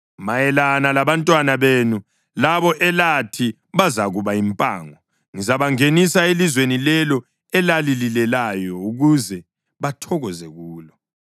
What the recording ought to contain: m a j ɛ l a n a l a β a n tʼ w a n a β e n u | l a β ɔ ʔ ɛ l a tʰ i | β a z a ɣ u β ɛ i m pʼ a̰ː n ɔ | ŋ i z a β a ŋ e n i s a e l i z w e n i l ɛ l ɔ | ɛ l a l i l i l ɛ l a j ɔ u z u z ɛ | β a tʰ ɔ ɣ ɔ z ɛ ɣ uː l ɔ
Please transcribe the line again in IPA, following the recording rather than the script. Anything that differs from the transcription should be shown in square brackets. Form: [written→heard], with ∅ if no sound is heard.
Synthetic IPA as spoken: m a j ɛ l a n a l a β a n tʼ w a n a β e n u | l a β ɔ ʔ ɛ l a tʰ i | β a z a ɣ u β [ɛ→a] i m pʼ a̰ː [n→ŋ] ɔ | ŋ i z a β a ŋ e n i s a e l i z w e n i l ɛ l ɔ | ɛ l a l i l i l ɛ l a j ɔ u [z→ɣ] u z ɛ | β a tʰ ɔ ɣ ɔ z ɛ ɣ uː l ɔ

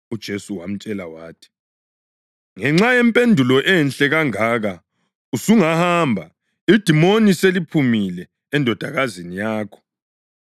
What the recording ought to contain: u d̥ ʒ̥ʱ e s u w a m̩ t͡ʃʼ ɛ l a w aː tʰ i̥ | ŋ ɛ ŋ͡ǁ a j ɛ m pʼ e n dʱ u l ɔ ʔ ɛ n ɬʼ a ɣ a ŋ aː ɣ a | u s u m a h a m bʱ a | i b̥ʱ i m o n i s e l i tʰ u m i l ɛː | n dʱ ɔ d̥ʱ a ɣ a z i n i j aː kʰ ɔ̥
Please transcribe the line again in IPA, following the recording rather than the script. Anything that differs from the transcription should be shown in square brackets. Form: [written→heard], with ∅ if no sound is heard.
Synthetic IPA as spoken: u d̥ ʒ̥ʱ e s u w a m̩ t͡ʃʼ ɛ l a w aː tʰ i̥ | ŋ ɛ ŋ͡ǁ a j ɛ m pʼ e n dʱ u l ɔ ʔ ɛ n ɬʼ [a→ɛ] ɣ a ŋ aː ɣ a | u s u [m→ŋ] a h a m bʱ a | i [b̥ʱ→d̥ʱ] i m o n i s e l i [tʰ→pʰ] u m i l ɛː | n dʱ ɔ d̥ʱ a ɣ a z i n i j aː kʰ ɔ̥

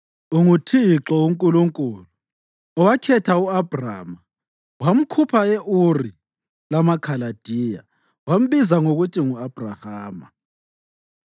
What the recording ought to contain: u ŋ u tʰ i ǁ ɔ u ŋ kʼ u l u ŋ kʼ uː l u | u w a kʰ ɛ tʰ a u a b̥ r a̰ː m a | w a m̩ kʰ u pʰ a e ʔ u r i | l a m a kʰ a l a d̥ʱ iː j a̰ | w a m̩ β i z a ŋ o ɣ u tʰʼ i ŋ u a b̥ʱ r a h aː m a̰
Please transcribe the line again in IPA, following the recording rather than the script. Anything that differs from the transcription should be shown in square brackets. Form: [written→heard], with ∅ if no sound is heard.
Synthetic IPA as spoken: u ŋ u tʰ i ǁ ɔ u ŋ kʼ u l u ŋ kʼ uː l u | [u→ɔ] w a kʰ ɛ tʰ a u a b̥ r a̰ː m a | w a m̩ kʰ u pʰ a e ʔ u r i | l a m a kʰ a l a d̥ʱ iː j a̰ | w a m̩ β i z a ŋ o ɣ u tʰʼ i ŋ u a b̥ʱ r a h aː m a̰

